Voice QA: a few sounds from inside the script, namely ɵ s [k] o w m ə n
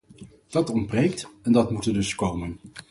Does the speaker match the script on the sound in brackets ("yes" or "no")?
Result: yes